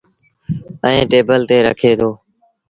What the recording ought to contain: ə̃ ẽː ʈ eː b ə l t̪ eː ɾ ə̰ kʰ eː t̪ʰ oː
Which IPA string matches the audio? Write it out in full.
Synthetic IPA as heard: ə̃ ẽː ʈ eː b ə l t̪ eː ɾ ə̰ kʰ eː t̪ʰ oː

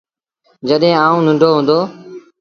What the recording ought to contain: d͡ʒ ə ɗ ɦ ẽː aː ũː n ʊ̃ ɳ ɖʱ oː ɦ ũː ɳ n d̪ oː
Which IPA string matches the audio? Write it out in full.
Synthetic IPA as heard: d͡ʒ ə ɗ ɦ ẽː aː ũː n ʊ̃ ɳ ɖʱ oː ɦ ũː n d̪ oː

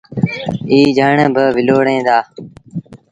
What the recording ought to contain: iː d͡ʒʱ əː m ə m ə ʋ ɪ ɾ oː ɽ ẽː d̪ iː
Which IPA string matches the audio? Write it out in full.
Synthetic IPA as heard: iː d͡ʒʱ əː ɳ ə b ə ʋ ɪ l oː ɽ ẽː d̪ aː

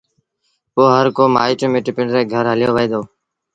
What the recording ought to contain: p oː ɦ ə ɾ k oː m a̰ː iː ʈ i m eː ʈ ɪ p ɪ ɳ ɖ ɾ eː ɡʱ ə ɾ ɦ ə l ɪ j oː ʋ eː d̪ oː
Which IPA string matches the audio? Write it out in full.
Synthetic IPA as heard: p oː ɦ ə ɾ k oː m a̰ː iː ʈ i m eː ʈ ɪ p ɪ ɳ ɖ ɾ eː ɡʱ ə ɾ ɦ ə l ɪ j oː ʋ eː d̪ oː

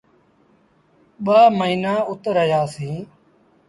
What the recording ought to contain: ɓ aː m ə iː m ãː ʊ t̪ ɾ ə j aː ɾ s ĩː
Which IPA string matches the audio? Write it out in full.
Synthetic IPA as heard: ɓ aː m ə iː n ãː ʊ t̪ ɾ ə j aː s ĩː

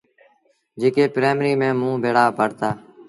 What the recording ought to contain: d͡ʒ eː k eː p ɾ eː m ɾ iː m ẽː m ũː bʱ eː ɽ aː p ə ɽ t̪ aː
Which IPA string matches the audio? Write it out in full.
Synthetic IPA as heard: d͡ʒ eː k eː p ɾ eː m ɾ iː m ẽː m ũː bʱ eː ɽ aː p ə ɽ t̪ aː

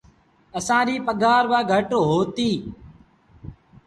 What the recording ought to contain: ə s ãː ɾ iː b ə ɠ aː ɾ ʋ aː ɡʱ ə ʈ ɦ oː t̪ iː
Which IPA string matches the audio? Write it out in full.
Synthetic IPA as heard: ə s ãː ɾ iː p ə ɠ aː ɾ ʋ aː ɡʱ ə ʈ ɦ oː t̪ iː

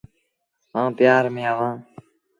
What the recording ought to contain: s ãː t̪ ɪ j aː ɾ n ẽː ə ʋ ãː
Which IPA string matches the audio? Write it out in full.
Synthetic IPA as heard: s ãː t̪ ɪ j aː ɾ m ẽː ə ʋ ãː

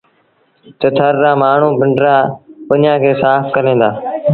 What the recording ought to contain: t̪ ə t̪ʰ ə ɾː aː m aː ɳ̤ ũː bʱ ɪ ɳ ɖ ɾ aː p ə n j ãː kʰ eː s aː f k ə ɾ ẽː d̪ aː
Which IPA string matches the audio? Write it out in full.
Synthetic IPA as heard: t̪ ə t̪ʰ ə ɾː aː m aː ɳ̤ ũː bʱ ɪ ɳ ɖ ɾ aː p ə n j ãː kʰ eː s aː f k ə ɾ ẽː d̪ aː

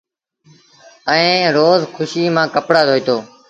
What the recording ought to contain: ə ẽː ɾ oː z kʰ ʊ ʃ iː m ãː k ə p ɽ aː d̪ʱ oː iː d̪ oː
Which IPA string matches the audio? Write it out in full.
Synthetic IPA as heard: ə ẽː ɾ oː z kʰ ʊ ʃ iː m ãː k ə p ɽ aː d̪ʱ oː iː t̪ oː

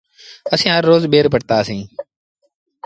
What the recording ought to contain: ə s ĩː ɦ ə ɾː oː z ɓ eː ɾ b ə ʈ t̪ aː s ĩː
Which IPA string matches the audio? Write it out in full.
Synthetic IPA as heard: ə s ĩː ɦ ə ɾː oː z ɓ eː ɾ p ə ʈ t̪ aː s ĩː

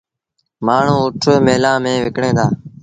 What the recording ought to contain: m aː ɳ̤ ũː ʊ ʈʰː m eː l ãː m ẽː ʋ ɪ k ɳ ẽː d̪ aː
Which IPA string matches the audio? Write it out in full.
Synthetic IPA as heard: m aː ɳ̤ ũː ʊ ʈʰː m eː l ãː m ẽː ʋ ɪ k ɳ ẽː d̪ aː

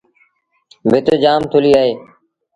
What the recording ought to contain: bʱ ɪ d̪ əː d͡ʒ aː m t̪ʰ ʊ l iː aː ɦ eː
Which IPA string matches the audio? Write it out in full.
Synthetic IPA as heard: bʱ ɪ t̪ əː d͡ʒ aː m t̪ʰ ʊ l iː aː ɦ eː

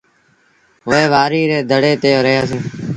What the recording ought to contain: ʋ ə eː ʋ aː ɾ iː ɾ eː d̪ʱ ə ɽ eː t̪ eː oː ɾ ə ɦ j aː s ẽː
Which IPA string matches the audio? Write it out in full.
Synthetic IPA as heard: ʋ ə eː ʋ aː ɾ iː ɾ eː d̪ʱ ə ɽ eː t̪ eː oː ɾ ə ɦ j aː s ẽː

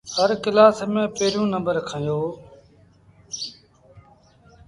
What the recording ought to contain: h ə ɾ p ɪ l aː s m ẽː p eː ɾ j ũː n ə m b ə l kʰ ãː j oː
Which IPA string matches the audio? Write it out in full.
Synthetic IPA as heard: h ə ɾ k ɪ l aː s m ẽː p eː ɾ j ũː n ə m b ə ɾ kʰ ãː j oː

